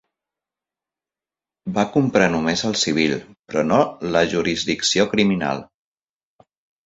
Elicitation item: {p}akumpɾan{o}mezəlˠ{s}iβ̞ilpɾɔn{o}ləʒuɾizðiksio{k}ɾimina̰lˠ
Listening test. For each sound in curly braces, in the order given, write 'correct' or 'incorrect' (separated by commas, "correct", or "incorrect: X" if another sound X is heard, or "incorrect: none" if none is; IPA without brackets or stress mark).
incorrect: b, incorrect: u, correct, correct, correct